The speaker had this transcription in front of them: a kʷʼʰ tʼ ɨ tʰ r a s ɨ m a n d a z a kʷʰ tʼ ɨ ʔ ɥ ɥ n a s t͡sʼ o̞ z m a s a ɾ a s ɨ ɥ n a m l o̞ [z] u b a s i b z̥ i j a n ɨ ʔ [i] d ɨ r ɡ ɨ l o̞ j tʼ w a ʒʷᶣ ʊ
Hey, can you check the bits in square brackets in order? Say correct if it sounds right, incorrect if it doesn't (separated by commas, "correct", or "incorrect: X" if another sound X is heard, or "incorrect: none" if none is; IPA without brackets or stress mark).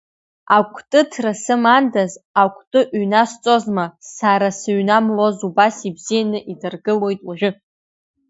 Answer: correct, correct